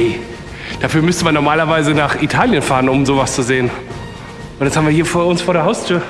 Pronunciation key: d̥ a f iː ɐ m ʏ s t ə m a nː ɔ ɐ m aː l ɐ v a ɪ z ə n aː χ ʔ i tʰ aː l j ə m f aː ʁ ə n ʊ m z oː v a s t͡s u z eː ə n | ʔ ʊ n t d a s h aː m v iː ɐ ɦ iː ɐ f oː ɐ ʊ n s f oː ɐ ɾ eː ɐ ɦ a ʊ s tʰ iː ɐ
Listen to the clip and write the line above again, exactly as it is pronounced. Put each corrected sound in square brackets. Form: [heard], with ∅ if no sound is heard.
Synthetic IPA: d̥ a f [yː] ɐ m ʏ s t ə m a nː ɔ ɐ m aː l ɐ v a ɪ z ə n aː χ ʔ i tʰ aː l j ə [n] f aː ʁ ə n ʊ m z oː v a s t͡s u z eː ə n | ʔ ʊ n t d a s h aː m v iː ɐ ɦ iː ɐ f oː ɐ ʊ n s f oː ɐ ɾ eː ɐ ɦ a ʊ s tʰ [yː] ɐ